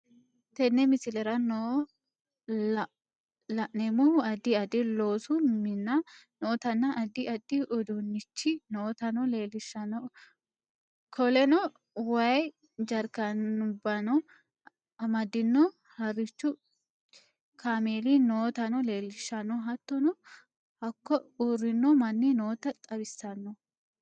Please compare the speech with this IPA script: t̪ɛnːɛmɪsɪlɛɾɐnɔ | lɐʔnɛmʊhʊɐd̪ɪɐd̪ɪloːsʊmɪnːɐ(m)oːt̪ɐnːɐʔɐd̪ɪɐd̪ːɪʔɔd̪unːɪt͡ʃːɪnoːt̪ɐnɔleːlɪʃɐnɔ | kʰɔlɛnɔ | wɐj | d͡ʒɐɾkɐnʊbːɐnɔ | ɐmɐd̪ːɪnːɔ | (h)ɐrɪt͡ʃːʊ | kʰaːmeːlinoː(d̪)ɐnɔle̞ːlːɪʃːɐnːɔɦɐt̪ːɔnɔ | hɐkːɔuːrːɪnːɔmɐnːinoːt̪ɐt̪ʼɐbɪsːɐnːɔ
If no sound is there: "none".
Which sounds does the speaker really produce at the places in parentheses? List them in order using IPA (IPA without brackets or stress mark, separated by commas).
n, h, t̪